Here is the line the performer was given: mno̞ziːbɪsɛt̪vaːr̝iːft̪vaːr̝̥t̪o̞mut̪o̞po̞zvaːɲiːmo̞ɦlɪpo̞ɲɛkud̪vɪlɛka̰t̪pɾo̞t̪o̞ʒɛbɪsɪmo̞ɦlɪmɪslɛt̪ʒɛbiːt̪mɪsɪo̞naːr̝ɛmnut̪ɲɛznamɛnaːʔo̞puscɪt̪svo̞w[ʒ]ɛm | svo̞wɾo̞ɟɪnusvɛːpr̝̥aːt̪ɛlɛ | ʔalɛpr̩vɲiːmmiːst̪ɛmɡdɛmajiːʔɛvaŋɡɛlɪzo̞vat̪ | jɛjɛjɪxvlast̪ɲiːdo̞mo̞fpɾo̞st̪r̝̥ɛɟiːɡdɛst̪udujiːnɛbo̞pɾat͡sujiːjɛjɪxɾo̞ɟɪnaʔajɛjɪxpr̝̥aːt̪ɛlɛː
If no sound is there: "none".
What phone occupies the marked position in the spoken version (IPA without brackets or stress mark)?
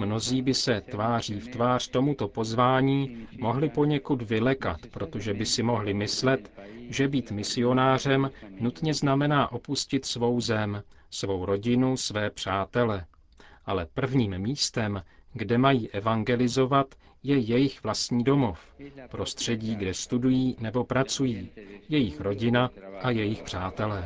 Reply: z